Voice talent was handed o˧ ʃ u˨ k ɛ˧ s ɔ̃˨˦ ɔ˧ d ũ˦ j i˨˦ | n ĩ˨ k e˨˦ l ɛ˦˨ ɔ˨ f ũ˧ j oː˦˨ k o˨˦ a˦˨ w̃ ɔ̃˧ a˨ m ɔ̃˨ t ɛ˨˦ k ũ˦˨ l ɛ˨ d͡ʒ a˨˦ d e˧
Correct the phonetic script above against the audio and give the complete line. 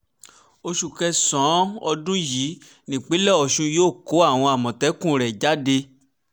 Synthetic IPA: o˧ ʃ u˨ k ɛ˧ s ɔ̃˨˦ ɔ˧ d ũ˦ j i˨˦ | n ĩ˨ k͡p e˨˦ l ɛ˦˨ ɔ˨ ʃ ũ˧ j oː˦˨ k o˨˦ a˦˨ w̃ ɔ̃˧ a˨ m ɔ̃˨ t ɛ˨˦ k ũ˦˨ ɾ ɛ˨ d͡ʒ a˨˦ d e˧